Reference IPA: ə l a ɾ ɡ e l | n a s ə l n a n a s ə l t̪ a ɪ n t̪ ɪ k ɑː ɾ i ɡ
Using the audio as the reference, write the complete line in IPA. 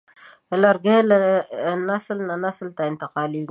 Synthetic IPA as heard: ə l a ɾ ɡ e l | n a s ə l n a n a s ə l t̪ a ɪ n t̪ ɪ q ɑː l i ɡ